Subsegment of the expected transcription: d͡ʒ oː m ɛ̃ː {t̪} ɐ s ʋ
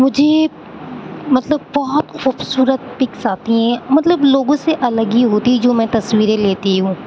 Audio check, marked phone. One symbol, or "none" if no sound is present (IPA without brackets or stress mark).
t̪